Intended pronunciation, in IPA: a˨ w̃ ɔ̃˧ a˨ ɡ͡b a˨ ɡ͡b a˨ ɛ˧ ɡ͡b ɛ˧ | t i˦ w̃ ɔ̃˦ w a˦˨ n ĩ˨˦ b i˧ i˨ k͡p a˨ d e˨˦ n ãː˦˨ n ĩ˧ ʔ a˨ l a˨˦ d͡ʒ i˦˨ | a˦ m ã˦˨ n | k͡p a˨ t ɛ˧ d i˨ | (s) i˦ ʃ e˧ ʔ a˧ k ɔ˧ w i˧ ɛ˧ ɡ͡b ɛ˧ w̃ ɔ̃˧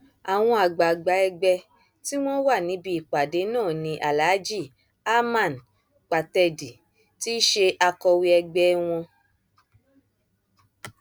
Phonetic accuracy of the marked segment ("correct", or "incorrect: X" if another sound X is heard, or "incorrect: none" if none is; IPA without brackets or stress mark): incorrect: t